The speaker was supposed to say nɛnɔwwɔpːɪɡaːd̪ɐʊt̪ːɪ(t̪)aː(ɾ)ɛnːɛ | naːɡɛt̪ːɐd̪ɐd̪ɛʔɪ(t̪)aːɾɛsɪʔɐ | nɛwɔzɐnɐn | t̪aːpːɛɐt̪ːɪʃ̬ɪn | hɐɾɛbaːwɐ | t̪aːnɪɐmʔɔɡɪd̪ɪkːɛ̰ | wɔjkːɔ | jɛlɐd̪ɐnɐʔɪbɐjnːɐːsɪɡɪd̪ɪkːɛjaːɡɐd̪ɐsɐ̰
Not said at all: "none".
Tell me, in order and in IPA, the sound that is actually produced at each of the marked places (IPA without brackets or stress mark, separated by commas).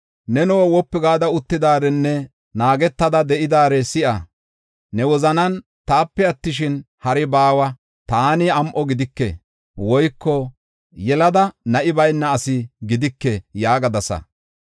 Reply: d̪, ɾ, d̪